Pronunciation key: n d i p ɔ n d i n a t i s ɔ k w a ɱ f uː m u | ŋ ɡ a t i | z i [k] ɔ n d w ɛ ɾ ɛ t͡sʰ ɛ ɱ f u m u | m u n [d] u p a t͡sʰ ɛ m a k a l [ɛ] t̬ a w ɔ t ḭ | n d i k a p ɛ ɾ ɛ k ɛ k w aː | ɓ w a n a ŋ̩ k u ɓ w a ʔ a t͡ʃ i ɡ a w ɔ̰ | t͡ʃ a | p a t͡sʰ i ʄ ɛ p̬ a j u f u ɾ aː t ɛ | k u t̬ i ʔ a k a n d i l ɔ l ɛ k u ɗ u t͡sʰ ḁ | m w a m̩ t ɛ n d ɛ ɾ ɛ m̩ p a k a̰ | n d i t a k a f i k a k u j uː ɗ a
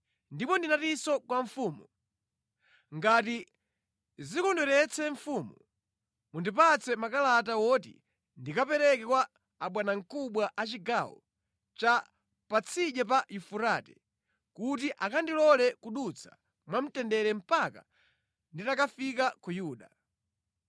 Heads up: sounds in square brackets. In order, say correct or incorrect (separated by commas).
correct, correct, incorrect